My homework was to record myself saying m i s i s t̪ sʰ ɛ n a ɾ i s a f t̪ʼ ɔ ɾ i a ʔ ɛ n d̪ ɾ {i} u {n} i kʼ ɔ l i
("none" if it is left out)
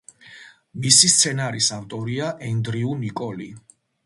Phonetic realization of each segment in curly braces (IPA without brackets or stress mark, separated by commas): i, n